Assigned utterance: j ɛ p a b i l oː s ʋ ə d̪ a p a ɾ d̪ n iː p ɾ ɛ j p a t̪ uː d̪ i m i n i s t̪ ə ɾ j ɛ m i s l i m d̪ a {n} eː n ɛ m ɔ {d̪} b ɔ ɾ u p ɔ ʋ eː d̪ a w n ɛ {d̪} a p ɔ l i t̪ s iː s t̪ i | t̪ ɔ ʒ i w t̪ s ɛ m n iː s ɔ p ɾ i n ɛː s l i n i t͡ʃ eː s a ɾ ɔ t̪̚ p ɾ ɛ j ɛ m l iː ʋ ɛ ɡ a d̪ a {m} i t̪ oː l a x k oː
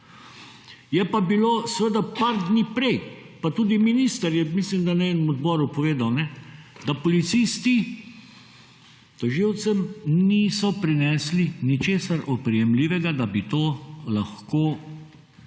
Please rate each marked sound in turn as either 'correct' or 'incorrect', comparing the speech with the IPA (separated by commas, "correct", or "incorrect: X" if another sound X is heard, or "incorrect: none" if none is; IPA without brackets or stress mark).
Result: correct, correct, correct, incorrect: b